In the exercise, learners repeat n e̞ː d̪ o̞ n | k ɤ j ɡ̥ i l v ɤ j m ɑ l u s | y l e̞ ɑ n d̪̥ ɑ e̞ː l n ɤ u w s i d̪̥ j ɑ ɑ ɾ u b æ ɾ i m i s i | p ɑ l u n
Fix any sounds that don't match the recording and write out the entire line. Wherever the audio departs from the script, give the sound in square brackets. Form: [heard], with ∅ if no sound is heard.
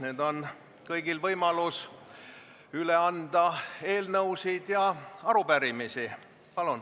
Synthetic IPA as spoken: n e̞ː d̪ o̞ n | k ɤ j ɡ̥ i l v ɤ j m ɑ l u s | y l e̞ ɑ n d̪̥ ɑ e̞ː l n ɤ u w s i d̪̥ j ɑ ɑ ɾ u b æ ɾ i m i s i | p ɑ l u n